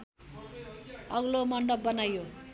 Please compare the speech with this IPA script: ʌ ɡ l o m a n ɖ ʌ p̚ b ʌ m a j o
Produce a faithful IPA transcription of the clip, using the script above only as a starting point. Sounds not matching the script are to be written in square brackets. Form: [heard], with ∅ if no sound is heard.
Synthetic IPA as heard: ʌ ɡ l o m [ʌ] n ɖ ʌ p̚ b ʌ [n] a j o